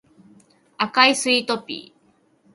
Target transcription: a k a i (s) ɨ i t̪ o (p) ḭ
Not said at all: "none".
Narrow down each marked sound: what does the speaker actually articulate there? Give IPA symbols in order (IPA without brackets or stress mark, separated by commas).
s, p